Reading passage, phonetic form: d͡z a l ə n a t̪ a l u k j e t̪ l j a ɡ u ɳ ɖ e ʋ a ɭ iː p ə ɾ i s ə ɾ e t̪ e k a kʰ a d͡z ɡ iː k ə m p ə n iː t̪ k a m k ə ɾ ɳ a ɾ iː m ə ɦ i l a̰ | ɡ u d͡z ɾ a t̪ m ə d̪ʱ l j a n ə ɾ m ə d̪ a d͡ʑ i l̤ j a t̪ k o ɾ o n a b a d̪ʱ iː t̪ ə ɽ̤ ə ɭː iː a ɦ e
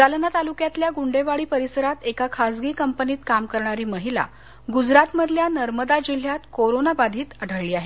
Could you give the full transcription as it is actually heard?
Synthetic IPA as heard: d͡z a l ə n a t̪ a l u k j a t̪ l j a ɡ u ɳ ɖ e ʋ a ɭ iː p ə ɾ i s ə ɾ a t̪ e k a kʰ a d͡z ɡ iː k ə m p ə n iː t̪ k a m k ə ɾ ɳ a ɾ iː m ə ɦ i l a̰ | ɡ u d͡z ɾ a t̪ m ə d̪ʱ l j a n ə ɾ m ə d̪ a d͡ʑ i l̤ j a t̪ k o ɾ o n a b a d̪ʱ iː t̪ ə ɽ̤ ə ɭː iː a ɦ e